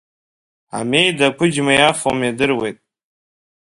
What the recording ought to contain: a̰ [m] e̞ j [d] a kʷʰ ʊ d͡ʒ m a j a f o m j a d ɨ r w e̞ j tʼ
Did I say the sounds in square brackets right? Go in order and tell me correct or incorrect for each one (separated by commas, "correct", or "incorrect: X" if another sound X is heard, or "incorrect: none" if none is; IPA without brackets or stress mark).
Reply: correct, correct